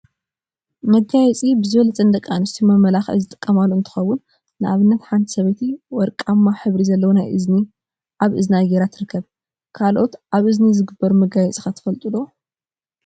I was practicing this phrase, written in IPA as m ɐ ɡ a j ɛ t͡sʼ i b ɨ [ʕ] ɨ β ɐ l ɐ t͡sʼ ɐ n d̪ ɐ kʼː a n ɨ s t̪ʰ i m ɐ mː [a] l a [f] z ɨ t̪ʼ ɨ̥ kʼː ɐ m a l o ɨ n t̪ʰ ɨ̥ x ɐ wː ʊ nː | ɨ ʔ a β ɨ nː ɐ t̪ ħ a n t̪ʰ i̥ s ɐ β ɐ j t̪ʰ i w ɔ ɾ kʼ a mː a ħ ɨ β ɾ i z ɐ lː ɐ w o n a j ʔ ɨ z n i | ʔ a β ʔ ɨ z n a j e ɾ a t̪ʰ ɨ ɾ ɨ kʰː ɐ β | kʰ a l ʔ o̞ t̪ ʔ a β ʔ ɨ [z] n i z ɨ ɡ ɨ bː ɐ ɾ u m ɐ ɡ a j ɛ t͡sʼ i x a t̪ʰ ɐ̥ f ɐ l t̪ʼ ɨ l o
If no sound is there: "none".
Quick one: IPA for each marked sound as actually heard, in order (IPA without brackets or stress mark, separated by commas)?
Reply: z, ɐ, x, z